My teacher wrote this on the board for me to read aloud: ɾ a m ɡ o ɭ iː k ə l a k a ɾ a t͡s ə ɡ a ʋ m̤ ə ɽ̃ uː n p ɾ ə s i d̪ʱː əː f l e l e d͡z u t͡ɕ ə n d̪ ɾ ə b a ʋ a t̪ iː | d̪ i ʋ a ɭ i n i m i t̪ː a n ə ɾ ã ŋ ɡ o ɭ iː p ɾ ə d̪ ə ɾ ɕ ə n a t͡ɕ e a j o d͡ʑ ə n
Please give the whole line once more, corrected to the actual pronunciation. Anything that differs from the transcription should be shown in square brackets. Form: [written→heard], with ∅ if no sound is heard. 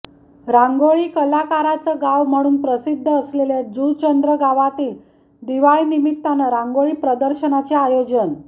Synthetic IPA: ɾ a [m→ŋ] ɡ o ɭ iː k ə l a k a ɾ a t͡s ə ɡ a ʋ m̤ ə ɽ̃ uː n p ɾ ə s i d̪ʱː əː [f→s] l e l e d͡z u t͡ɕ ə n d̪ ɾ ə [b→ɡ] a ʋ a t̪ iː | d̪ i ʋ a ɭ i n i m i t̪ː a n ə ɾ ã ŋ ɡ o ɭ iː p ɾ ə d̪ ə ɾ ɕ ə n a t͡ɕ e a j o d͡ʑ ə n